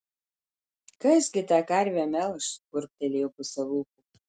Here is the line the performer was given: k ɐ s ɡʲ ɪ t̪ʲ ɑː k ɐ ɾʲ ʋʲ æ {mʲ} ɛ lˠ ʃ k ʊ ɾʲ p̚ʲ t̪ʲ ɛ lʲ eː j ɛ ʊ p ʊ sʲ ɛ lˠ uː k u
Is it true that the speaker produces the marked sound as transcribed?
yes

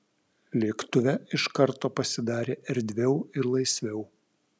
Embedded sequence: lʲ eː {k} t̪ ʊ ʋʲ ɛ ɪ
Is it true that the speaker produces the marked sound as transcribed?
yes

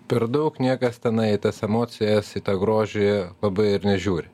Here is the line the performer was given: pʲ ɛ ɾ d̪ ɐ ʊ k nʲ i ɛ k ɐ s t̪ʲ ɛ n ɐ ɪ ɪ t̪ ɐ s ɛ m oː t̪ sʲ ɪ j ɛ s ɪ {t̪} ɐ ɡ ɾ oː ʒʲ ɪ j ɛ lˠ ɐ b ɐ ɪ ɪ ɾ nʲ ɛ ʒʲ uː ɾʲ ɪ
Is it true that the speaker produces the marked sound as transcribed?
yes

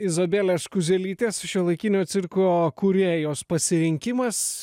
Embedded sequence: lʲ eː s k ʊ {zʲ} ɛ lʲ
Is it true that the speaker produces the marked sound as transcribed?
yes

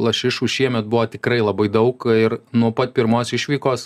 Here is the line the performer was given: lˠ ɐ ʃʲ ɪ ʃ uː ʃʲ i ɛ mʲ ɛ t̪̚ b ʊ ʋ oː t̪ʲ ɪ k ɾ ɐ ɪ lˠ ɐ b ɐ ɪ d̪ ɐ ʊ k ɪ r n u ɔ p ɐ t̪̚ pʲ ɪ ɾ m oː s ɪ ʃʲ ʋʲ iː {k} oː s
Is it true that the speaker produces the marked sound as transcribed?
yes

